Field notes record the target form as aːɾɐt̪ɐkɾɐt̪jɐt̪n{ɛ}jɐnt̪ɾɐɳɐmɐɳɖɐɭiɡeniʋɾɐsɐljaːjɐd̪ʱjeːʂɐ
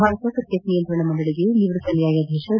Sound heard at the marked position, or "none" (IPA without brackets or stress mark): i